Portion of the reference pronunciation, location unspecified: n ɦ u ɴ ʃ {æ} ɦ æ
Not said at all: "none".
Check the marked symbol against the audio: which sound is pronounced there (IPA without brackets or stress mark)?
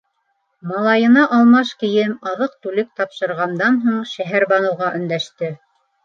æ